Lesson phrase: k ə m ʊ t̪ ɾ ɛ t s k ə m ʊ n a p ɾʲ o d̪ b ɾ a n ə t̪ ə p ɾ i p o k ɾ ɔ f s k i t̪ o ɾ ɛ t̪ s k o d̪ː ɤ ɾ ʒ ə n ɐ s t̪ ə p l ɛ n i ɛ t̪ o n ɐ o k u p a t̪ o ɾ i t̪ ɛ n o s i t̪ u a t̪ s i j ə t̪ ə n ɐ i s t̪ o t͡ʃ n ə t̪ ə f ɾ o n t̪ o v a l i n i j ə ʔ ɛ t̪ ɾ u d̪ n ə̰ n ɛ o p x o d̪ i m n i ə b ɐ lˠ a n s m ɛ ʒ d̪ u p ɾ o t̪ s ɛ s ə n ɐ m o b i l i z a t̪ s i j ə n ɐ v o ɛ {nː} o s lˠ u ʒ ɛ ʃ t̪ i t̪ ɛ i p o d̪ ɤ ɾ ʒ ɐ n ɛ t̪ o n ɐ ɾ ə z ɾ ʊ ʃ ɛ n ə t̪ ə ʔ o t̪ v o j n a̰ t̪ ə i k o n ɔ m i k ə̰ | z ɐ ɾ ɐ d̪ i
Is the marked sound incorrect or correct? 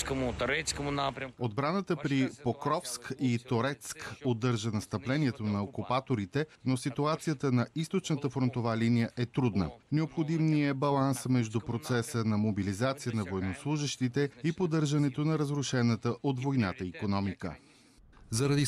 incorrect